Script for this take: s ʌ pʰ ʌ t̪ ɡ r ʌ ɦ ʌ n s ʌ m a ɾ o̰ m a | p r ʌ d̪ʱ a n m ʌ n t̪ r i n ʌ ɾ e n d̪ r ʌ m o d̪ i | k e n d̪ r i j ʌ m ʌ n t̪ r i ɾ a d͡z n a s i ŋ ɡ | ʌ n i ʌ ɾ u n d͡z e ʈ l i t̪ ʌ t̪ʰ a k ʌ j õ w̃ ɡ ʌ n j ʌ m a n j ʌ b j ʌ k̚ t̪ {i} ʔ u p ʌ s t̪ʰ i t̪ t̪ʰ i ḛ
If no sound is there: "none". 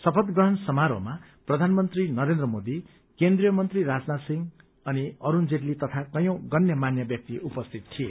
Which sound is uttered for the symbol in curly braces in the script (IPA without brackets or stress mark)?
i